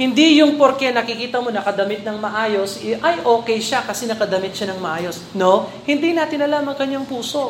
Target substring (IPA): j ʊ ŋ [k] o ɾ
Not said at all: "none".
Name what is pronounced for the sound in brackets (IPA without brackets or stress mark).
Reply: p